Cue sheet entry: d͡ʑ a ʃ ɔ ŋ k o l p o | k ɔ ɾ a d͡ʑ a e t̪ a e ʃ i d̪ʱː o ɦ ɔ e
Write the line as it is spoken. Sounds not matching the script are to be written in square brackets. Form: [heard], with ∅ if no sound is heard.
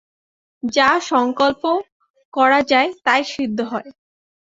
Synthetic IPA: d͡ʑ a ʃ ɔ ŋ k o l p o | k ɔ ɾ a d͡ʑ a e t̪ a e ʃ i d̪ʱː o ɦ ɔ e

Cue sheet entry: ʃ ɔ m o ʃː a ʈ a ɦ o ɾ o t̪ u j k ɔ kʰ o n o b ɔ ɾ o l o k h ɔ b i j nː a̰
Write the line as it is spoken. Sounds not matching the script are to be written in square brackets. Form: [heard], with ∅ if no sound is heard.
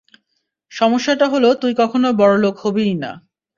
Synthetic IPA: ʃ ɔ m o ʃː a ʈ a ɦ o [l] o t̪ u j k ɔ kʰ o n o b ɔ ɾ o l o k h [o] b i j [n] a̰

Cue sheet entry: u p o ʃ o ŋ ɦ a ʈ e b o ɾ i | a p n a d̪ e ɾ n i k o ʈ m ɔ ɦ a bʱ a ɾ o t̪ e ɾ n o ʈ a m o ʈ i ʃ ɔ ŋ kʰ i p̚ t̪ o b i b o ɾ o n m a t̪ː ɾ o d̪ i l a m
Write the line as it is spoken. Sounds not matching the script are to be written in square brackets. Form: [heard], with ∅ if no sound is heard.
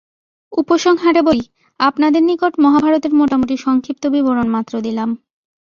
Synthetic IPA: u p o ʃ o ŋ ɦ a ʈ e b o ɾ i | a p n a d̪ e ɾ n i k o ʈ m ɔ ɦ a bʱ a ɾ o t̪ e ɾ [m] o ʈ a m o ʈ i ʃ ɔ ŋ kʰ i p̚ t̪ o b i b o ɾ o n m a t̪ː ɾ o d̪ i l a m

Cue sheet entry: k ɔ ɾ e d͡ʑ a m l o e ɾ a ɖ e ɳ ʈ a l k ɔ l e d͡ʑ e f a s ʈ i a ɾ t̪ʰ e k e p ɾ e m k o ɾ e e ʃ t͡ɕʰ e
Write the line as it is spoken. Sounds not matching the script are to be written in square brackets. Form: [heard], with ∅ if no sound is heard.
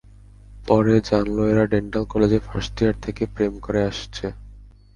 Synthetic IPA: [p] ɔ ɾ e d͡ʑ a [n] l o e ɾ a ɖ e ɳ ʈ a l k ɔ l e d͡ʑ e f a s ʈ i a ɾ t̪ʰ e k e p ɾ e m k o ɾ e [a] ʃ t͡ɕʰ e

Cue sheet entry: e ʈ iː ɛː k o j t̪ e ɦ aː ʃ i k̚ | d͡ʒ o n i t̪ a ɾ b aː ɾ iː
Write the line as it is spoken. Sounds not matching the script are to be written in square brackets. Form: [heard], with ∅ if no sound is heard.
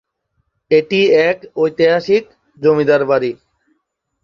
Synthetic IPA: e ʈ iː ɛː k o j t̪ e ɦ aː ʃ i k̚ | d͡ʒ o [m] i [d̪] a ɾ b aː ɾ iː

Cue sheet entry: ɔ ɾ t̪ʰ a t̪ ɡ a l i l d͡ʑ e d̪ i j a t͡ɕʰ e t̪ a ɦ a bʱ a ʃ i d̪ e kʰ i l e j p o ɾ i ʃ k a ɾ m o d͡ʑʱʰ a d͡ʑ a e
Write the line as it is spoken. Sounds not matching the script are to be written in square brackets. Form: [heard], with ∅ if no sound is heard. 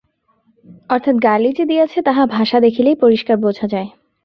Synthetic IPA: ɔ ɾ t̪ʰ a t̪ ɡ a l i [∅] d͡ʑ e d̪ i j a t͡ɕʰ e t̪ a ɦ a bʱ a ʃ [a] d̪ e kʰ i l e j p o ɾ i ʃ k a ɾ [b] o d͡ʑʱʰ a d͡ʑ a e

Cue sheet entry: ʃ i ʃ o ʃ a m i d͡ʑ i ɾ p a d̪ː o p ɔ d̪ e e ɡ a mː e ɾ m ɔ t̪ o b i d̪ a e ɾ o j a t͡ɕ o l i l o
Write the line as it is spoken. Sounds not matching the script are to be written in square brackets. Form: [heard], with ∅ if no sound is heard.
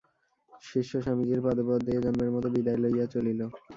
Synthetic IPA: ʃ i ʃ o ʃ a m i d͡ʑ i ɾ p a [d̪] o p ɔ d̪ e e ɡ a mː e ɾ m ɔ t̪ o b i d̪ a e [l] o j a t͡ɕ o l i l o

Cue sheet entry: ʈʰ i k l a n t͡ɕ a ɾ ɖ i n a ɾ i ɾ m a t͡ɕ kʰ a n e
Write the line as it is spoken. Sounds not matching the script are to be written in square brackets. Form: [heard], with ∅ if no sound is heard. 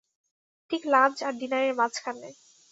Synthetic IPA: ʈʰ i k l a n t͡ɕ a ɾ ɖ i n a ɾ [e] ɾ m a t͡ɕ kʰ a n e

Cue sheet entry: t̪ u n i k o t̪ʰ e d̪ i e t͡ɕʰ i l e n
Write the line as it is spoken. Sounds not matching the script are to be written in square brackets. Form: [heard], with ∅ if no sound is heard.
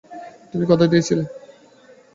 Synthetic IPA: t̪ u [m] i k [ɔ] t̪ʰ [a] d̪ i e t͡ɕʰ i l e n

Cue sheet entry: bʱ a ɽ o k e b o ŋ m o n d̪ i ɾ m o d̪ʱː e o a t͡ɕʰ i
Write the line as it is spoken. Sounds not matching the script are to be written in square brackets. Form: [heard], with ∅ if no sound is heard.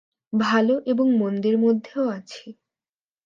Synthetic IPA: bʱ a [l] o [ʔ] e b o ŋ m o n d̪ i ɾ m o d̪ʱː e o a t͡ɕʰ [e]

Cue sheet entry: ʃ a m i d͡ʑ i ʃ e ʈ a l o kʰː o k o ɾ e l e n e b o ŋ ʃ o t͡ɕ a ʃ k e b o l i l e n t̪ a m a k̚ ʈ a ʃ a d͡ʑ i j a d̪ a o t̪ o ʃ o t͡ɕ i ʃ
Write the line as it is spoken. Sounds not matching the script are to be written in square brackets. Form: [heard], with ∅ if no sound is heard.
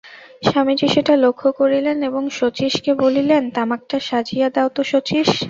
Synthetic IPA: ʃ a m i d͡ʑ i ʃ e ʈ a l o kʰː o k o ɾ [i] l e n e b o ŋ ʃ o t͡ɕ [i] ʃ k e b o l i l e n t̪ a m a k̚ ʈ a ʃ a d͡ʑ i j a d̪ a o t̪ o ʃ o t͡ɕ i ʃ

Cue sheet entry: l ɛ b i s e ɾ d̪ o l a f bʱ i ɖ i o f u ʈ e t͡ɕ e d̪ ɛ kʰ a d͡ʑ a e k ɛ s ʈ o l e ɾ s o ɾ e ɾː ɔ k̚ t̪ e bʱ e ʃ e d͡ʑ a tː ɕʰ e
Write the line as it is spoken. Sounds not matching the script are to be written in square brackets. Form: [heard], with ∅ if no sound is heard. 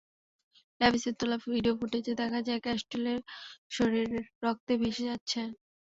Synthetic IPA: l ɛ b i s e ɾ [t̪] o l a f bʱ i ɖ i o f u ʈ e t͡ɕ e d̪ ɛ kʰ a d͡ʑ a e k ɛ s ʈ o l e ɾ [ʃ] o ɾ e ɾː ɔ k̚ t̪ e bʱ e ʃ e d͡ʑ a tː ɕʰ e

